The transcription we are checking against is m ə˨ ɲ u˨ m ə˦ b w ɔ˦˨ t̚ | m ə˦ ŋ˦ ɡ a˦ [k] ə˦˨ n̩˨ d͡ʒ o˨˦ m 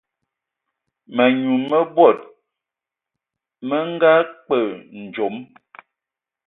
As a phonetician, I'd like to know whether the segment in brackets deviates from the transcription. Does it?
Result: yes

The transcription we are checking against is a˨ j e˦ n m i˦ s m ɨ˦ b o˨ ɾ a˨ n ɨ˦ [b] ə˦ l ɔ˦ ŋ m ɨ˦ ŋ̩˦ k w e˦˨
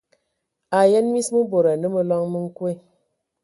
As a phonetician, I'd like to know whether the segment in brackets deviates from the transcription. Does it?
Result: yes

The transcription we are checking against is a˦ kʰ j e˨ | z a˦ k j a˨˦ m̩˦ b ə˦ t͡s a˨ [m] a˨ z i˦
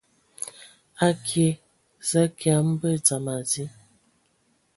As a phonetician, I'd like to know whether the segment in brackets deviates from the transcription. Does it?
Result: no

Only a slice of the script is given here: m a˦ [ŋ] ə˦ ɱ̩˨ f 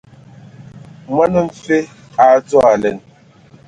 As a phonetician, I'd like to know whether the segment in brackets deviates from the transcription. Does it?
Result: yes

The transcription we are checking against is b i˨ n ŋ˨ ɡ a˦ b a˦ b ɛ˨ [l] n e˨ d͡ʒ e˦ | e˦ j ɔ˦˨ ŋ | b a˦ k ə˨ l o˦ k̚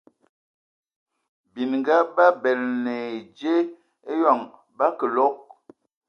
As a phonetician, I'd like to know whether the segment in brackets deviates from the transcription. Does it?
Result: no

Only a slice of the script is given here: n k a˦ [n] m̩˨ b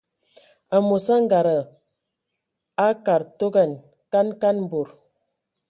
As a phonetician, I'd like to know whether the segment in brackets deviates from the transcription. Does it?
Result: no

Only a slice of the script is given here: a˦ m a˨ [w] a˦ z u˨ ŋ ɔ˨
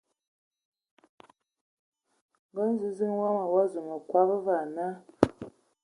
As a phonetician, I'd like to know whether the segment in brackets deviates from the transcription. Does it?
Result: no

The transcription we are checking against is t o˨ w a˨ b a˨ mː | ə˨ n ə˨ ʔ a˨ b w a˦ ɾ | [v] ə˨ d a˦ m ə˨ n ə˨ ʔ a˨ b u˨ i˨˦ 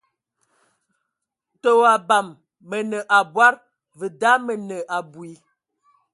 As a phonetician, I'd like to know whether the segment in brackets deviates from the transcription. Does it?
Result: no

